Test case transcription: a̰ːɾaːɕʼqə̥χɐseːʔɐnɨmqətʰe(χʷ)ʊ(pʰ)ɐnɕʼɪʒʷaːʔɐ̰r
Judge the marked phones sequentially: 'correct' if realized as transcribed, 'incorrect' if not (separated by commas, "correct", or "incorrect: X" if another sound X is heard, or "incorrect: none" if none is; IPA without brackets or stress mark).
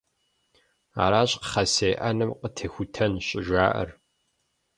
incorrect: xʷ, incorrect: tʰ